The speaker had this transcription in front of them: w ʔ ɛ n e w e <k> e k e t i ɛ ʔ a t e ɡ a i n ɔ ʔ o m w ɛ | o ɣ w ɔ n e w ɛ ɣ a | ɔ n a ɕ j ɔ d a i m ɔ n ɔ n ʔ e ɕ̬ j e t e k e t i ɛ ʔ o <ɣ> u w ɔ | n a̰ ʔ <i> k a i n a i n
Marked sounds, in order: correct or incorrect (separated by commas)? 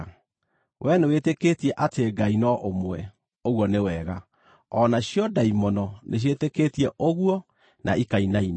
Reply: incorrect, correct, correct